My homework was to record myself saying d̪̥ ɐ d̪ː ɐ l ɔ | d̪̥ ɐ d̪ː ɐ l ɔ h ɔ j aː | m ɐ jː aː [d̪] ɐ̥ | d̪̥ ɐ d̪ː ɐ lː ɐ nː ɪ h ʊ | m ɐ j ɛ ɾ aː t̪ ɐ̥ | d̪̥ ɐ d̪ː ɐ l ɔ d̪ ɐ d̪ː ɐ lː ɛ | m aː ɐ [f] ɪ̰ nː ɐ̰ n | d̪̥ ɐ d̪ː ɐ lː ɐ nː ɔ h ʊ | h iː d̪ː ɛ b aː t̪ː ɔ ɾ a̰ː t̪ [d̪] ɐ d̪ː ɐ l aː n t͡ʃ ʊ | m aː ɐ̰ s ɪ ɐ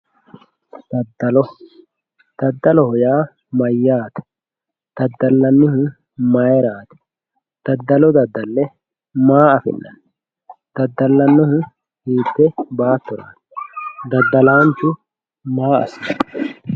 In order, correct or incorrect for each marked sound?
incorrect: t̪, correct, correct

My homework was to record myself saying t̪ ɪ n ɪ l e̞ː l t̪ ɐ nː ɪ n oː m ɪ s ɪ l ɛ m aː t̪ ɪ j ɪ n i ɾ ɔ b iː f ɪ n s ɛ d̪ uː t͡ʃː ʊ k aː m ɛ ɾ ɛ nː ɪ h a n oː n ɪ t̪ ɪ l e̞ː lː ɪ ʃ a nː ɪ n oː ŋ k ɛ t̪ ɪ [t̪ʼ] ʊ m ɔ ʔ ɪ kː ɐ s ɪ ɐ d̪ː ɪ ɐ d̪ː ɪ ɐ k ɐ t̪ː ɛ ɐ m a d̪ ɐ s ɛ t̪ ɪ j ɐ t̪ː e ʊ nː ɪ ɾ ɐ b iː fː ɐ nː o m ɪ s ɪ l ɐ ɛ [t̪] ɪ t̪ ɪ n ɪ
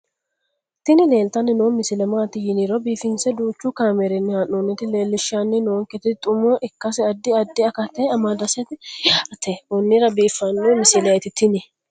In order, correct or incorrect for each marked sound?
correct, correct

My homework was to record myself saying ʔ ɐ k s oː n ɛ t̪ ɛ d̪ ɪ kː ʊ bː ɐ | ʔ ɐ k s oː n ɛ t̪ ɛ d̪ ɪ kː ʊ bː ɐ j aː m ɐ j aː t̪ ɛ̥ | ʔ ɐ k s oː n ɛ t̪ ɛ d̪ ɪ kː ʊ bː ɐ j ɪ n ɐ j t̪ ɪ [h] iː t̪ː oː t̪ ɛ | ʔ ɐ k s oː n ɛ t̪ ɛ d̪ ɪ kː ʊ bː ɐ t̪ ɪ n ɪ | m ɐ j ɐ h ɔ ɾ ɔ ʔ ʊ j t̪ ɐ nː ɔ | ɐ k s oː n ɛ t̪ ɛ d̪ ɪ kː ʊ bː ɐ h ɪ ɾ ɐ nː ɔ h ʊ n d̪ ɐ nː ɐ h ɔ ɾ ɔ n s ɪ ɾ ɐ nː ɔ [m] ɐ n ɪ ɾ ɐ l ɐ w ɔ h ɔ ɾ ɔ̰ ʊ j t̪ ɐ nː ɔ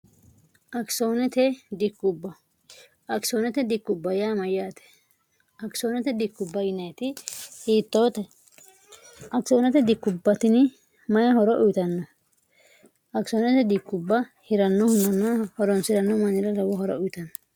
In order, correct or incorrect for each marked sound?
correct, correct

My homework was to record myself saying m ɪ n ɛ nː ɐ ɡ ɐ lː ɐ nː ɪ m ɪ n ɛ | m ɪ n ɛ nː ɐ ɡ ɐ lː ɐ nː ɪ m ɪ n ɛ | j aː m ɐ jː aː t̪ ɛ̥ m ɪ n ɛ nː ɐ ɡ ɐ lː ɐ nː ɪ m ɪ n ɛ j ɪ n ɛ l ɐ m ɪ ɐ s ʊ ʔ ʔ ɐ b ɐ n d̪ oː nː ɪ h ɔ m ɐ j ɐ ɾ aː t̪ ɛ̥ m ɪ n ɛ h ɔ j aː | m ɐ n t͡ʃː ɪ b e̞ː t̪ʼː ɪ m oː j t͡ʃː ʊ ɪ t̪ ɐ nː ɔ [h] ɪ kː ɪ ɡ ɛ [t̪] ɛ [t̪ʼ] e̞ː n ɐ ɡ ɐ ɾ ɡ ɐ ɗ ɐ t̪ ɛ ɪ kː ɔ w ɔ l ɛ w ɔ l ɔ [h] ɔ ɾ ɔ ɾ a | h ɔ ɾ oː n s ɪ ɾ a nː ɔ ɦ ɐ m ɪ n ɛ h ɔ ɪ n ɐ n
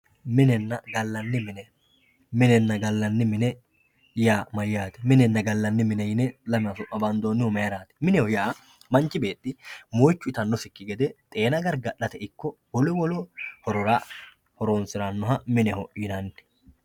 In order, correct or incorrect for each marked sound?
incorrect: s, incorrect: d̪, correct, correct

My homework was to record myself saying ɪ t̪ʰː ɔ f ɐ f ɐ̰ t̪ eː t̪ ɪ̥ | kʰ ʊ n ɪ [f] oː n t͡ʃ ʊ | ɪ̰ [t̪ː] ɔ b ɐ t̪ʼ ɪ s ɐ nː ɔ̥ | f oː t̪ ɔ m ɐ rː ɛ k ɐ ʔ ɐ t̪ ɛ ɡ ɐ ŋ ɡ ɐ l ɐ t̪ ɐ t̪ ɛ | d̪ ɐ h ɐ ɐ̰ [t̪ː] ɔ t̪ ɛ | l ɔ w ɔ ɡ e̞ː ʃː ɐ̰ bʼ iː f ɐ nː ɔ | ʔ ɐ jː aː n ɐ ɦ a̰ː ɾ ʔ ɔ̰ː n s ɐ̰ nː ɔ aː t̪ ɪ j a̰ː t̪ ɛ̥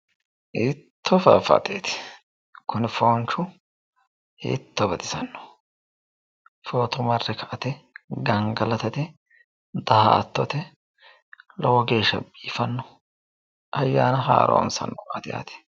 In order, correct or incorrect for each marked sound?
correct, correct, correct

